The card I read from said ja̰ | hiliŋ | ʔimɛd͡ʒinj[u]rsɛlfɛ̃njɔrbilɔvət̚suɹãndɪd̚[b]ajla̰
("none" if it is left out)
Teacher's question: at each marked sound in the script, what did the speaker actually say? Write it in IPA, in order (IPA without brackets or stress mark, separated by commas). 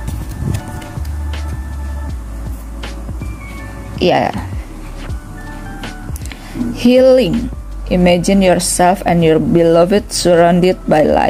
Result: ɔ, b